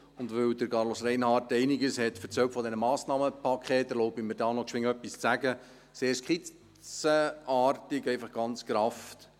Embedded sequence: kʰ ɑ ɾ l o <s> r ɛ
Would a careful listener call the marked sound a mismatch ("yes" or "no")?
no